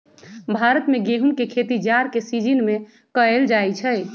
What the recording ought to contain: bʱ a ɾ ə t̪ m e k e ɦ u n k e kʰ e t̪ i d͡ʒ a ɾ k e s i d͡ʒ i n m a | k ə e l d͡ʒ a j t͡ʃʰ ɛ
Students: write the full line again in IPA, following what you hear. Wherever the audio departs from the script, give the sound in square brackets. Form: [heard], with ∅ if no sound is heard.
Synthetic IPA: bʱ a ɾ ə t̪ m e [ɡ] e ɦ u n k e kʰ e t̪ i d͡ʒ a ɾ k e s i d͡ʒ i n m [e] | k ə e l d͡ʒ a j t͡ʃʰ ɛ